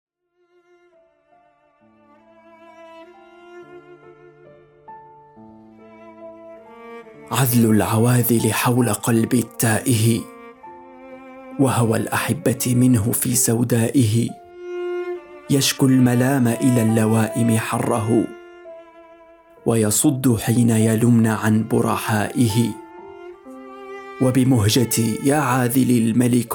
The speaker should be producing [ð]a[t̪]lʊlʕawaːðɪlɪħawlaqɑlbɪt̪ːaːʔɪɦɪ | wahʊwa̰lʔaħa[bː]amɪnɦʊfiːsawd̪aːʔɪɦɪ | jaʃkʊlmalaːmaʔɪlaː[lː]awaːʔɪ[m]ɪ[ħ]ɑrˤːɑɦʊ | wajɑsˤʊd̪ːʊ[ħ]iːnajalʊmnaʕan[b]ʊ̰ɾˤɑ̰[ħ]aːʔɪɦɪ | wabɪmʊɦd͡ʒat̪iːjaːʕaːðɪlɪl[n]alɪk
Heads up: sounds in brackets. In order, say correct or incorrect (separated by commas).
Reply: incorrect, incorrect, correct, correct, correct, correct, correct, correct, correct, incorrect